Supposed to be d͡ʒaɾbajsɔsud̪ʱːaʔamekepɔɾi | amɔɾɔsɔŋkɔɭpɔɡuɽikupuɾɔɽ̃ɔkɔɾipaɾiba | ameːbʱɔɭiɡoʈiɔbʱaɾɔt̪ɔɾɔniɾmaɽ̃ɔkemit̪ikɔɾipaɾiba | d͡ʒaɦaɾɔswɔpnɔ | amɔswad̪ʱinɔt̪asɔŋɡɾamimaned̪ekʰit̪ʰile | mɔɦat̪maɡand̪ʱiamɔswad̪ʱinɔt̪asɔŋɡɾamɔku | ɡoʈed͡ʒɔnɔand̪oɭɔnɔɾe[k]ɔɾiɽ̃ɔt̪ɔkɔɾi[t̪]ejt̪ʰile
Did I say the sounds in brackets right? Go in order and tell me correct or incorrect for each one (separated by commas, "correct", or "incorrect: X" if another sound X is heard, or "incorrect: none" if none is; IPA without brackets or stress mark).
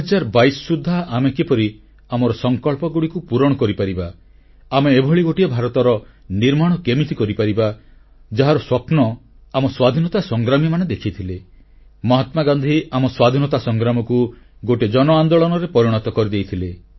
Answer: incorrect: p, incorrect: d̪